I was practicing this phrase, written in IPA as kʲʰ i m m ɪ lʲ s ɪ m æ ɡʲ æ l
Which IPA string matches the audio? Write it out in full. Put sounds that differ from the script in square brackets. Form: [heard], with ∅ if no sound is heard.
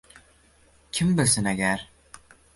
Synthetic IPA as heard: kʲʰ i m [b] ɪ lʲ s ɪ [n] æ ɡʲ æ [ɾ]